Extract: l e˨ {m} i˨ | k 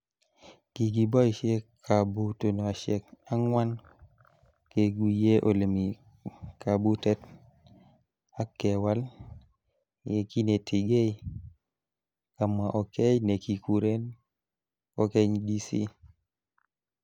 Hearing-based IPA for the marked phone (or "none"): m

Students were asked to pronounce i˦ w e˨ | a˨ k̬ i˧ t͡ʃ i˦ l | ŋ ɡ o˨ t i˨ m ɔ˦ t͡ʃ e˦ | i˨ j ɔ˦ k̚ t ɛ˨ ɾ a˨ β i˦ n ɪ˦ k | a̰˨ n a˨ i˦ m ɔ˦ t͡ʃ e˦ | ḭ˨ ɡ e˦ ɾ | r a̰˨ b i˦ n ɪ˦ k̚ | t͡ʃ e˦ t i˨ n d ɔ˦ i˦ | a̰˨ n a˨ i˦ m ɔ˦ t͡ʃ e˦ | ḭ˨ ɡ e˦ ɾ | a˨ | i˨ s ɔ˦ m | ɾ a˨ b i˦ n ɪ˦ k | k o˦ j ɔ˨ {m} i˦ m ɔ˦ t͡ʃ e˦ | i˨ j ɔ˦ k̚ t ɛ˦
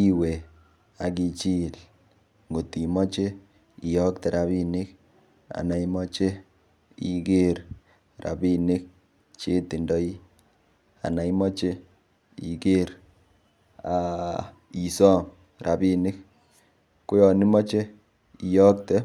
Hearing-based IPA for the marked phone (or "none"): n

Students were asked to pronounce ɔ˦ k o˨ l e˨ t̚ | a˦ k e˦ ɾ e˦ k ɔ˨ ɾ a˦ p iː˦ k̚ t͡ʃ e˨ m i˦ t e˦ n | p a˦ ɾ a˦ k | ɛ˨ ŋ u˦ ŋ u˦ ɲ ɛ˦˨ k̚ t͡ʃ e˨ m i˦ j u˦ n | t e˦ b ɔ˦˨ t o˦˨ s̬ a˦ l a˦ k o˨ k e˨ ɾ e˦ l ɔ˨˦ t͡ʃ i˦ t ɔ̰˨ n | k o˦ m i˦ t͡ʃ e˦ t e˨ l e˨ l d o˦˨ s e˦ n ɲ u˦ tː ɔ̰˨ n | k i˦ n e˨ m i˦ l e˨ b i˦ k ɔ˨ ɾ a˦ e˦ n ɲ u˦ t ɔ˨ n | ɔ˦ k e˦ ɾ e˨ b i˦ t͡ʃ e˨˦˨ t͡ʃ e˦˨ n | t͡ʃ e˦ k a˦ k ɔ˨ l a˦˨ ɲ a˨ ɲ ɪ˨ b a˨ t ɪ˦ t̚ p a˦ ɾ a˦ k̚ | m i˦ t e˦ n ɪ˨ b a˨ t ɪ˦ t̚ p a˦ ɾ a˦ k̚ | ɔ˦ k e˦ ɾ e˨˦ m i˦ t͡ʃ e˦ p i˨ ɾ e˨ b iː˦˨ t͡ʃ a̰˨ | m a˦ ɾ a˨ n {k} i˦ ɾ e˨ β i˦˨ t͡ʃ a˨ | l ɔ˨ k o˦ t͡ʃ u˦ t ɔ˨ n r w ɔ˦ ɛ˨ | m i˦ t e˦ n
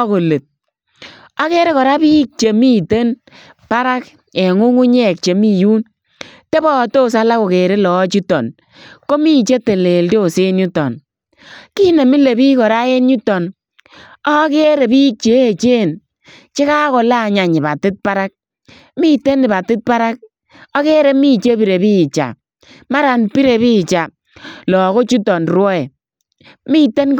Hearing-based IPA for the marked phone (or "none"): p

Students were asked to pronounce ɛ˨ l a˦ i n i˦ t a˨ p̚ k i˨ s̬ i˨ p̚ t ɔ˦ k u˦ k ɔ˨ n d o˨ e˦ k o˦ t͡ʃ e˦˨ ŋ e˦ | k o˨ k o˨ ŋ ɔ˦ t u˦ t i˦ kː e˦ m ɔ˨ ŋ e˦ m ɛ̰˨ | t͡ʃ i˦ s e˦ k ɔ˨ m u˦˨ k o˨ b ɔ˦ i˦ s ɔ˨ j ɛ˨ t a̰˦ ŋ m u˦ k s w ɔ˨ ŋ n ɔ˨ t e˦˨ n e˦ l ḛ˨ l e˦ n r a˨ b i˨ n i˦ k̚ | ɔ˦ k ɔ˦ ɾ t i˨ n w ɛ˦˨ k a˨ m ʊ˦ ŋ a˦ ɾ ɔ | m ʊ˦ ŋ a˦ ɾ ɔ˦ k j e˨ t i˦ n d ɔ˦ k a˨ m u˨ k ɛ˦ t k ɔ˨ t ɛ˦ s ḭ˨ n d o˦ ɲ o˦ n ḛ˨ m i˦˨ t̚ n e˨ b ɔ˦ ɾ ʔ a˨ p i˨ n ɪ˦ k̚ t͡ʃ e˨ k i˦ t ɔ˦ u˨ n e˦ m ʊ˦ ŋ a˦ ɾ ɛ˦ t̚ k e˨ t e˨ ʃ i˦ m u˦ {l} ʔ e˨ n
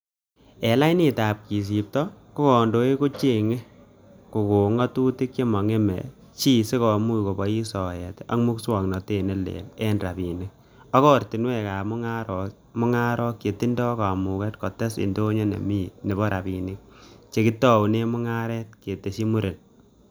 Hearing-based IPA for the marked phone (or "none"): ɾ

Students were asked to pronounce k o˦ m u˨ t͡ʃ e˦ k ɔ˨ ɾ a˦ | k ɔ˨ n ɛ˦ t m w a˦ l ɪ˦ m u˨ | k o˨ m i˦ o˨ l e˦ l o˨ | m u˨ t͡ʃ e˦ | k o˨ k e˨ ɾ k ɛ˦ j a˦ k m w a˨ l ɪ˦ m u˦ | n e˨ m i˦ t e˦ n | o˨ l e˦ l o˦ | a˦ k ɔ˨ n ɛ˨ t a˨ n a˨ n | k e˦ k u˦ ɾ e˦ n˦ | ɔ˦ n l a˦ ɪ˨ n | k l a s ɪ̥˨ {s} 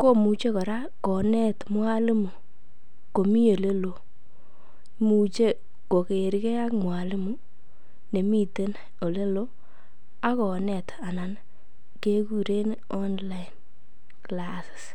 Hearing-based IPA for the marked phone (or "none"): s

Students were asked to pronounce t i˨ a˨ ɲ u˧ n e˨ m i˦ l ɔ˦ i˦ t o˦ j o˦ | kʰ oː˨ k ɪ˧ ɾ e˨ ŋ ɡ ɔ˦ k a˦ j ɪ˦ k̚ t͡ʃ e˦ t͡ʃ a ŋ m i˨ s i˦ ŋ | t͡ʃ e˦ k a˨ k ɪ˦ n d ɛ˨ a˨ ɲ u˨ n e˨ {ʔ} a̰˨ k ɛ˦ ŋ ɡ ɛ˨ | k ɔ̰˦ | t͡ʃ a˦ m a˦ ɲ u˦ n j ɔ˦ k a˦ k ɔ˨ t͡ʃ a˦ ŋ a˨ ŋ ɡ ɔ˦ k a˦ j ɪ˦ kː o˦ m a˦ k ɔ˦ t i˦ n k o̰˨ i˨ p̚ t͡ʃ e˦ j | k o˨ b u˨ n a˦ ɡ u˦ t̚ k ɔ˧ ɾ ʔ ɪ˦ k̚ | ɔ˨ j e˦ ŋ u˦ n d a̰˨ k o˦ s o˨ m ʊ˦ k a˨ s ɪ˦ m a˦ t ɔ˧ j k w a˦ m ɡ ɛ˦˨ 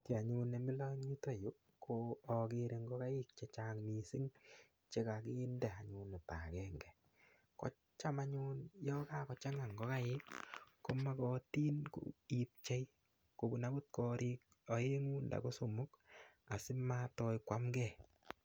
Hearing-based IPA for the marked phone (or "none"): t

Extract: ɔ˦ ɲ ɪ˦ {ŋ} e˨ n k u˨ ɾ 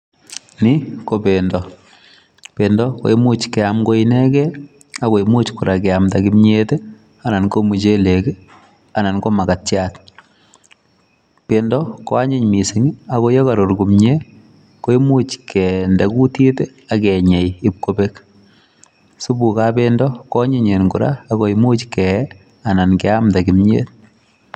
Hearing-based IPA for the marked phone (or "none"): ɲ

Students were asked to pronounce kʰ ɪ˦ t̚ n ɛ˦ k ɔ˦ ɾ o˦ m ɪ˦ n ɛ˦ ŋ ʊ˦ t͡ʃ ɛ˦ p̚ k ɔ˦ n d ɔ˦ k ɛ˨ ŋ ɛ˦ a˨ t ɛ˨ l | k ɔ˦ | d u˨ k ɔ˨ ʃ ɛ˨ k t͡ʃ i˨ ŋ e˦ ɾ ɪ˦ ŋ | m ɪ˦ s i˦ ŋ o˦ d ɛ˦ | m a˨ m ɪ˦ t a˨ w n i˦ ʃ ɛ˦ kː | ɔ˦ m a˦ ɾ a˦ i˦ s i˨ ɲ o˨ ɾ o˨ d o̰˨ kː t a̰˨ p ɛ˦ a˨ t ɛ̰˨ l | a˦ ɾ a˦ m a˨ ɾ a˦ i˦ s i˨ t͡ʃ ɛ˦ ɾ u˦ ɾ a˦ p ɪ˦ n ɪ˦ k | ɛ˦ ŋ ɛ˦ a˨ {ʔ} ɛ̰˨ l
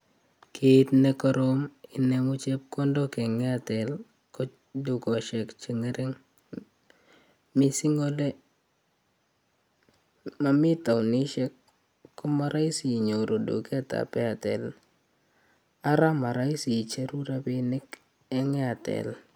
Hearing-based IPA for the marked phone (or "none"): t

